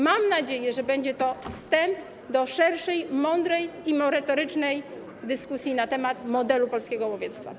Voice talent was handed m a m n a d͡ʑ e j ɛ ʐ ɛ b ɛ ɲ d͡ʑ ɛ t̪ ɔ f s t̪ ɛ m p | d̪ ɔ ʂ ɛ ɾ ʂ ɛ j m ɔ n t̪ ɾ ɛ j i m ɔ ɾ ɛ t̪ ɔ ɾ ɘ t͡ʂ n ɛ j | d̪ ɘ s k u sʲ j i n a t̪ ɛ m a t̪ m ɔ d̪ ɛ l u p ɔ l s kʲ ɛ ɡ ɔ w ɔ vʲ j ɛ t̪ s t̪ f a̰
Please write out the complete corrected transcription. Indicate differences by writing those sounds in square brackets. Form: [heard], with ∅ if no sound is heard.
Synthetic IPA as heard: m a m n a d͡ʑ e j ɛ ʐ ɛ b ɛ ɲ d͡ʑ ɛ t̪ ɔ f s t̪ ɛ m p | d̪ ɔ ʂ ɛ ɾ ʂ ɛ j m ɔ n [d̪] ɾ ɛ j i m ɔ ɾ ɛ t̪ ɔ ɾ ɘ t͡ʂ n ɛ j | d̪ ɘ s k u sʲ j i n a t̪ ɛ m a t̪ m ɔ d̪ ɛ l u p ɔ l s kʲ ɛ ɡ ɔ w ɔ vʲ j ɛ t̪ s t̪ f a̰